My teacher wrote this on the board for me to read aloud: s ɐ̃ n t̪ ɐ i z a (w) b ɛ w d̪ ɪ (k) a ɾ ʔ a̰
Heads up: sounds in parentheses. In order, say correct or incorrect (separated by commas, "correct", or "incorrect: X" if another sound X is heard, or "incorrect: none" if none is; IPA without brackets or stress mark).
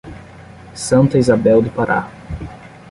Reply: incorrect: none, incorrect: p